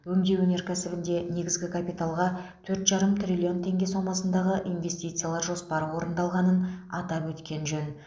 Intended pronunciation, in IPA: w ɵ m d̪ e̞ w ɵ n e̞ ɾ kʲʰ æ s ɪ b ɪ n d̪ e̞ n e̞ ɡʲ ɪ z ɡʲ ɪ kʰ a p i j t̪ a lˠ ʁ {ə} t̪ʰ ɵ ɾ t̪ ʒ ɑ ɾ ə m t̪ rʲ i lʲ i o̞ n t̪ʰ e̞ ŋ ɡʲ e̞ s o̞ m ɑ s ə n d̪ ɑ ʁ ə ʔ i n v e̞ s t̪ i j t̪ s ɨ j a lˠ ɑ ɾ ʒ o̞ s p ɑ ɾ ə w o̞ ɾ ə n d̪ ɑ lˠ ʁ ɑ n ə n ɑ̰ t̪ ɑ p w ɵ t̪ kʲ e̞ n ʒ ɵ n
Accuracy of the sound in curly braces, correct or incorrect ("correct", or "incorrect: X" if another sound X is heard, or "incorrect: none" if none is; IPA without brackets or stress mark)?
incorrect: ɑ